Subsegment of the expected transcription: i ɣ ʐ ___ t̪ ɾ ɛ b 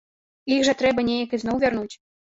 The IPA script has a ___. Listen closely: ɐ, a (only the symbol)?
ɐ